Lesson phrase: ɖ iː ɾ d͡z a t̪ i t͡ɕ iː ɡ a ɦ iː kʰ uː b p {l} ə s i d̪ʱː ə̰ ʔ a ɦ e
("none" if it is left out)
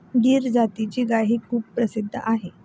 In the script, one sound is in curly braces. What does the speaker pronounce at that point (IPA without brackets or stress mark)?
ɾ